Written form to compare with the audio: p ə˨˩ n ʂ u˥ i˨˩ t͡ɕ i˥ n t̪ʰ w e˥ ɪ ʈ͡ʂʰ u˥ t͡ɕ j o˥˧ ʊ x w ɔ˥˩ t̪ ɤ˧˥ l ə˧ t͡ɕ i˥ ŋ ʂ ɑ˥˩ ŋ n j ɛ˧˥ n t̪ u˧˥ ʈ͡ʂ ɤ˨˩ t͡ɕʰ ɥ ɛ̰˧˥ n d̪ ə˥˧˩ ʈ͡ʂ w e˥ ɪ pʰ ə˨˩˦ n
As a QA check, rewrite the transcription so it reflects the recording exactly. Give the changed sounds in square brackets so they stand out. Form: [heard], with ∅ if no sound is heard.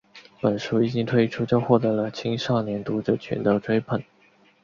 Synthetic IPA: p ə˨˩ n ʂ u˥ i˨˩ t͡ɕ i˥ [ŋ] t̪ʰ w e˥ ɪ ʈ͡ʂʰ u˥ t͡ɕ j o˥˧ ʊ x w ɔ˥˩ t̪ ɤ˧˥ l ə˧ [t͡ɕʰ] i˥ ŋ ʂ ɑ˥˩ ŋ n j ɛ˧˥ n t̪ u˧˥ ʈ͡ʂ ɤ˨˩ t͡ɕʰ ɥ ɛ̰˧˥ n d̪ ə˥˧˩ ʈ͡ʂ w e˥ ɪ pʰ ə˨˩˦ n